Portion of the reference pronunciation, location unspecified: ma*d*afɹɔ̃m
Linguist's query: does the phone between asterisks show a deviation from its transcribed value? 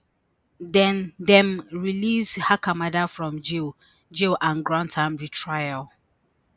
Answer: no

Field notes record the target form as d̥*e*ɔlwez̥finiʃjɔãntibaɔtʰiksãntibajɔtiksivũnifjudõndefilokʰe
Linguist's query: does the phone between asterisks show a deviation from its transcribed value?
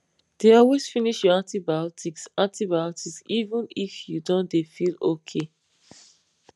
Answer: no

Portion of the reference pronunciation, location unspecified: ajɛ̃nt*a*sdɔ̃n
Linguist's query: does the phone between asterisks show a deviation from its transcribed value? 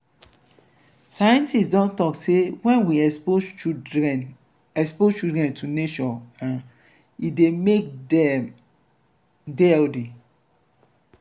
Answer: yes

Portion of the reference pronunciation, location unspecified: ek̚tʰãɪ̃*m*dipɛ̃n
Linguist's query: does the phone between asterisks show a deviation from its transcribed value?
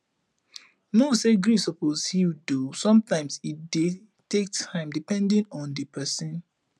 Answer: no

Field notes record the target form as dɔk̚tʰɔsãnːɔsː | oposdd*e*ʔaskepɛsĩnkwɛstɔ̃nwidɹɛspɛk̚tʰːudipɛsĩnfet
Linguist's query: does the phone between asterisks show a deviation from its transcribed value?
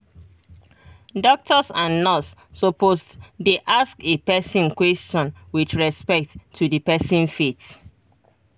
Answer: no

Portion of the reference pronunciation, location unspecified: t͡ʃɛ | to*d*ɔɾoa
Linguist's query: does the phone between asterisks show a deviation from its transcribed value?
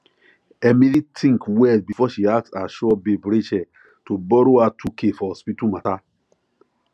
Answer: yes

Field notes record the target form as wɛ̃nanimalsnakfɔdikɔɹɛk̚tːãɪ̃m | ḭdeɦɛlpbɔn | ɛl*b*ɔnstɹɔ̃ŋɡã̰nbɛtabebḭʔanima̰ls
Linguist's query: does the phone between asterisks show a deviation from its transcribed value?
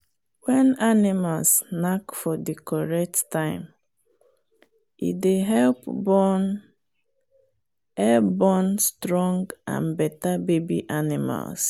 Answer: no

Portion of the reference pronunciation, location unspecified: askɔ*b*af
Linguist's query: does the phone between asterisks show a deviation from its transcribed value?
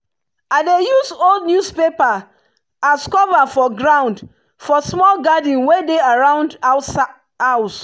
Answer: yes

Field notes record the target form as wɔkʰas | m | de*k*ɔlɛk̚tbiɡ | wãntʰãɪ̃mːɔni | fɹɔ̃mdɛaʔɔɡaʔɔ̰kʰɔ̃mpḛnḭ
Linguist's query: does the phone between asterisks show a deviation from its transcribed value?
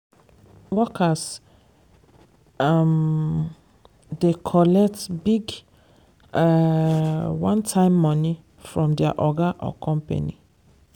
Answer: yes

